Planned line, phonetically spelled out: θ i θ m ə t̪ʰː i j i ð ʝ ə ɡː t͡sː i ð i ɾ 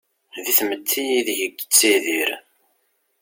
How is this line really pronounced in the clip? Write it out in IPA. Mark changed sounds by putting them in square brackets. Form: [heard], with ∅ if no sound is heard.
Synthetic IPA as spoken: [ð] i θ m ə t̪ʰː i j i ð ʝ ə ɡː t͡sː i ð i ɾ